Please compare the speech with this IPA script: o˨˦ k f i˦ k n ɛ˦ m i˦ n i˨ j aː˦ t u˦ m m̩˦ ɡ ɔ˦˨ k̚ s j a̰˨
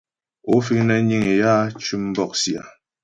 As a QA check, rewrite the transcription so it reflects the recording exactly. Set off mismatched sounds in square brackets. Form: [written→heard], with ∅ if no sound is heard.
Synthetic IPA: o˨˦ [k→∅] f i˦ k n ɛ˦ [m→ɲ] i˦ [n→ŋ] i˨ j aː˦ [t→t͡ʃ] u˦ m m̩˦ [ɡ→b] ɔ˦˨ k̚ s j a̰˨

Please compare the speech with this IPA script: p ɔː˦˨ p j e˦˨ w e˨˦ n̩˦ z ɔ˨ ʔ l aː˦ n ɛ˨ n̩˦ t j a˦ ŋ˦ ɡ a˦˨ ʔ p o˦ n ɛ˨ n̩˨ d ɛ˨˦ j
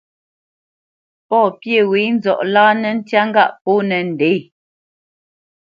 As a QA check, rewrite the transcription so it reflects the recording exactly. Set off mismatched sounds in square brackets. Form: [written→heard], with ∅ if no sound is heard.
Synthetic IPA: p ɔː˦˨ p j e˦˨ w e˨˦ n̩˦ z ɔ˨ ʔ l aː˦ n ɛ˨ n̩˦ t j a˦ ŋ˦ ɡ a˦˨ ʔ p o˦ n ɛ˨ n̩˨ d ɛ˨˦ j

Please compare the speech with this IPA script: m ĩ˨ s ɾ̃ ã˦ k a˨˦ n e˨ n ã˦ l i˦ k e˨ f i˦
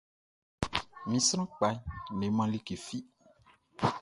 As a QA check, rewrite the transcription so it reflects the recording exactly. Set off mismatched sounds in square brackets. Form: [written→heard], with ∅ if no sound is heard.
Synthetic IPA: m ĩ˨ s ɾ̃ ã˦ [k→k͡p] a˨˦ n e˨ [n→m] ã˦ l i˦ k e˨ f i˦

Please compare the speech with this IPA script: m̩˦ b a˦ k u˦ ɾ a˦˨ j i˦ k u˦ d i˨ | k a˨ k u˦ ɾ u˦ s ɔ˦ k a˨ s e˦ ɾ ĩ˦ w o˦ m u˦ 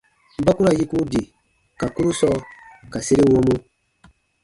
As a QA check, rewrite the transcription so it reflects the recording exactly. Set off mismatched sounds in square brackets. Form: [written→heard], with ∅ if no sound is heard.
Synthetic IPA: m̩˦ b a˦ k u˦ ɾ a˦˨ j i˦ k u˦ d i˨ | k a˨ k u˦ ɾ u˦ s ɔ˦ k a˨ s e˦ ɾ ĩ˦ w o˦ m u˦

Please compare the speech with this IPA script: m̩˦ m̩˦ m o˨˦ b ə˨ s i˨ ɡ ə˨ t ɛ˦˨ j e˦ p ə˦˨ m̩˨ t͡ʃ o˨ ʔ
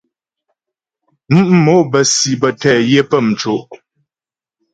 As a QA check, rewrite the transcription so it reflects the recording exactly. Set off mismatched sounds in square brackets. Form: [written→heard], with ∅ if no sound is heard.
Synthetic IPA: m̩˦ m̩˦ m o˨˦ b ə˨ s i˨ [ɡ→b] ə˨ t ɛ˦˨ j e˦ p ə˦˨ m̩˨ t͡ʃ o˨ ʔ

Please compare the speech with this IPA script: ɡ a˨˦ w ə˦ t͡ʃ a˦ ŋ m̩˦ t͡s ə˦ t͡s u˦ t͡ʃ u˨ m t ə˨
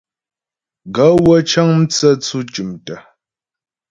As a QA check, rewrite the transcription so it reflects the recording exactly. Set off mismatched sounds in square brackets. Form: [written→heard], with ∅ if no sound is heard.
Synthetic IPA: ɡ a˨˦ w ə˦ t͡ʃ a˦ ŋ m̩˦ t͡s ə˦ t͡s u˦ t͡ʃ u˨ m t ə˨

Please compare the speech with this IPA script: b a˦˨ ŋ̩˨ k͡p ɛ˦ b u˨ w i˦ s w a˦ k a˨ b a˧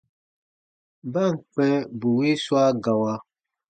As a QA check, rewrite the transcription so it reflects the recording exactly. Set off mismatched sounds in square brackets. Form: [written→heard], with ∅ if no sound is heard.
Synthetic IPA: b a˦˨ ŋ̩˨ k͡p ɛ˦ b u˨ w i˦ s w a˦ [k→ɡ] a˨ [b→w] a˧

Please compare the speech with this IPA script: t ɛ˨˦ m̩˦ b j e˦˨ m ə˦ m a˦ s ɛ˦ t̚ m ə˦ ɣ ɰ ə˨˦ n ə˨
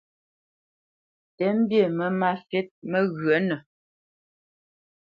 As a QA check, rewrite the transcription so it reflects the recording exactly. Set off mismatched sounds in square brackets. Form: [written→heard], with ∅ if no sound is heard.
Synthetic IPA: t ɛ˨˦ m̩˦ b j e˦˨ m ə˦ m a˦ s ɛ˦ t̚ m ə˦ ɣ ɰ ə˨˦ n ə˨

